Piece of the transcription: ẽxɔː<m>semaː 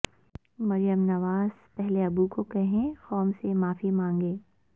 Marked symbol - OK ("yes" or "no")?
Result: yes